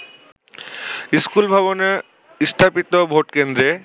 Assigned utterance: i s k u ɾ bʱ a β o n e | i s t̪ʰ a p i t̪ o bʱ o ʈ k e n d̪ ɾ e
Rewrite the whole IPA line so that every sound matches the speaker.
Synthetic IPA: i s k u l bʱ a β o n e | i s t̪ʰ a p i t̪ o bʱ o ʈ k e n d̪ ɾ e